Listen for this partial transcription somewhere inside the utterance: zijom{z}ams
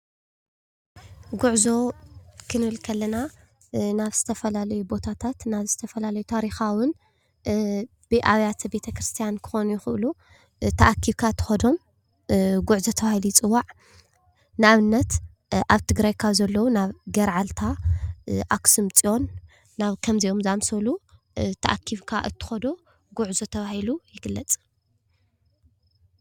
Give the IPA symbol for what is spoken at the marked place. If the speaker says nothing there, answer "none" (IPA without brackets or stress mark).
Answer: z